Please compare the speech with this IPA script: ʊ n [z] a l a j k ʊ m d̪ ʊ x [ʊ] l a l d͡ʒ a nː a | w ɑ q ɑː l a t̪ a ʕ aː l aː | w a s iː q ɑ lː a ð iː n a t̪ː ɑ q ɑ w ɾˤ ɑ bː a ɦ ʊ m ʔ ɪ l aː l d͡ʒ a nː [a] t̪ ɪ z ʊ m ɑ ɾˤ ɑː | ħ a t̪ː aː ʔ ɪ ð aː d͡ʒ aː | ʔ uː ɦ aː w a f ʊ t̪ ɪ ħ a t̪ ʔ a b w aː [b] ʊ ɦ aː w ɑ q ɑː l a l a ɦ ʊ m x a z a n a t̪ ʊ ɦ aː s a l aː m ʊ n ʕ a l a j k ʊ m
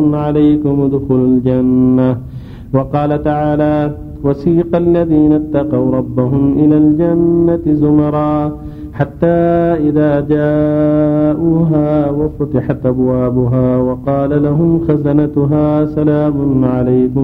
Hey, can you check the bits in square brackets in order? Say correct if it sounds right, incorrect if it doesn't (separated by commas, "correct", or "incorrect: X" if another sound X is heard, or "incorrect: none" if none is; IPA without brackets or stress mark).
incorrect: ʕ, correct, correct, correct